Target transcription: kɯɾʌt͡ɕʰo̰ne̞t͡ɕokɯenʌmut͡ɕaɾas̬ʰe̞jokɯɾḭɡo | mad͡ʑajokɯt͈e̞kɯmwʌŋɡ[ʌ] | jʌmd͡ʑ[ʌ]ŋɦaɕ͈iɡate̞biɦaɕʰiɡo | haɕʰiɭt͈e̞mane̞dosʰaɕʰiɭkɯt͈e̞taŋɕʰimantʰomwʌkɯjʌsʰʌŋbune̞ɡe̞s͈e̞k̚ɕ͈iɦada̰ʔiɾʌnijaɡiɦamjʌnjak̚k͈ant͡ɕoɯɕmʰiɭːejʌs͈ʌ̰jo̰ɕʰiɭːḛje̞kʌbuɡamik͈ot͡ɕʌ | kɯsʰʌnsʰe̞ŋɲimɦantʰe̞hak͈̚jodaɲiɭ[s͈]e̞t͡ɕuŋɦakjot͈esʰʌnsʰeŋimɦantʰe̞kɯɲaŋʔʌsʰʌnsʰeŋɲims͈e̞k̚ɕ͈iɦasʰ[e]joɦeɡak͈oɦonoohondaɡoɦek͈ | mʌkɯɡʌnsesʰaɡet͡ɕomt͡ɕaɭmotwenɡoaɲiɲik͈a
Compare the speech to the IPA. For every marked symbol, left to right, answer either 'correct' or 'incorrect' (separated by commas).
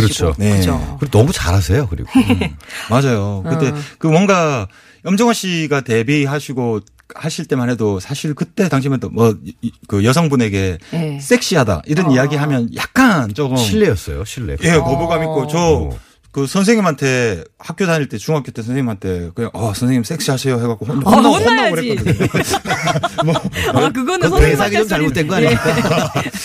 incorrect, correct, incorrect, correct